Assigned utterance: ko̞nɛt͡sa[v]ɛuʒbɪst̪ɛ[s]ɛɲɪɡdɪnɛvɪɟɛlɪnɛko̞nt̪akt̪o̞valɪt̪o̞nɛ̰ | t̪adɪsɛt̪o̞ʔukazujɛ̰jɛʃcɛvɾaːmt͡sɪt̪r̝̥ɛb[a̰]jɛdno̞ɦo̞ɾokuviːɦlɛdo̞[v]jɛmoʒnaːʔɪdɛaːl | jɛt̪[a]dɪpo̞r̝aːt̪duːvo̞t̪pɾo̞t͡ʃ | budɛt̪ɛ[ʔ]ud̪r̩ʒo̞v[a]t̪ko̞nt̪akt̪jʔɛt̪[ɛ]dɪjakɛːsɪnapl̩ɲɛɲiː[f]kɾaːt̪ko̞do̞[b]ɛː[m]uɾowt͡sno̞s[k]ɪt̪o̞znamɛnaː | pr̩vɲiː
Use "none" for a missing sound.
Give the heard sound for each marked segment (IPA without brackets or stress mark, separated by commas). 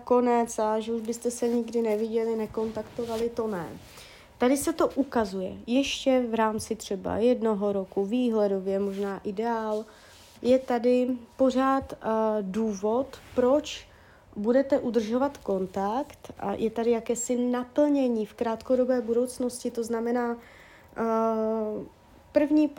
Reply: ʒ, s, a̰, v, a, ʔ, a, a, f, b, b, c